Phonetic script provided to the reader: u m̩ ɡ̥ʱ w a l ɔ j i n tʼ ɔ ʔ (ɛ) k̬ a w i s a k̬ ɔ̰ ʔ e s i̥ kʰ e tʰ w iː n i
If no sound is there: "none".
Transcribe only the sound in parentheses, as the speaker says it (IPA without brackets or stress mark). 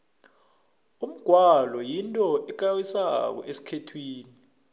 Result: ɛ